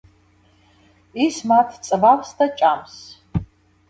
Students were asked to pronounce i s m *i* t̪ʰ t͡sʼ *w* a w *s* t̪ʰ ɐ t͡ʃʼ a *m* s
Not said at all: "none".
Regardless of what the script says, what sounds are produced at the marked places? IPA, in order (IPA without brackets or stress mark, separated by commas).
a, v, s, m